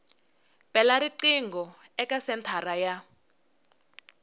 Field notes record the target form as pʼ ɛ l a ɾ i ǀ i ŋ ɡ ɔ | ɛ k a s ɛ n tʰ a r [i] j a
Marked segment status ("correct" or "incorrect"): incorrect